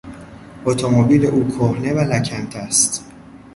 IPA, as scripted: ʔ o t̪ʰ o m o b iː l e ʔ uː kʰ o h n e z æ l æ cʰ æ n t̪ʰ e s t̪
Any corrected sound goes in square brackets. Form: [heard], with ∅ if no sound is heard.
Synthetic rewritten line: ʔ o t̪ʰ o m o b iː l e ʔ uː kʰ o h n e [v] æ l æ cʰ æ n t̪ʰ [æ] s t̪